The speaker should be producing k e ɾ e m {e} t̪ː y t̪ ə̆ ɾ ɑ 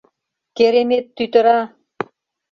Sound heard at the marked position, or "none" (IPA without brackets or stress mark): e